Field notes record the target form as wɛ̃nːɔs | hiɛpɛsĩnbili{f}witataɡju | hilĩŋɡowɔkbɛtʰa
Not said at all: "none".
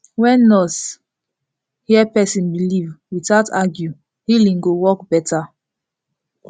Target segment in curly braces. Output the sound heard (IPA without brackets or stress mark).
v